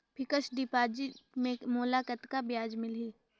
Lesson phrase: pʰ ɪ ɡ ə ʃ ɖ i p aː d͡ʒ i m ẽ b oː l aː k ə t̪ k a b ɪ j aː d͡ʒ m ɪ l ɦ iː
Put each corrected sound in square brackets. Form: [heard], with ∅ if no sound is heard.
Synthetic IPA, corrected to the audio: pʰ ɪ [k] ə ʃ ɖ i p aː d͡ʒ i m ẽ [m] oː l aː k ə t̪ k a b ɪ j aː d͡ʒ m ɪ l ɦ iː